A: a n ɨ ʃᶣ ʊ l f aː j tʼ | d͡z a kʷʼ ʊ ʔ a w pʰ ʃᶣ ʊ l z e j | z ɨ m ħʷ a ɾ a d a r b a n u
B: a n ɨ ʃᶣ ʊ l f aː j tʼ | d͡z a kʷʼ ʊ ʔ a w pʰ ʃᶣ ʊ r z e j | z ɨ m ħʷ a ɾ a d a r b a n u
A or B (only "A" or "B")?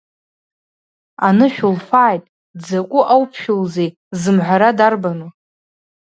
A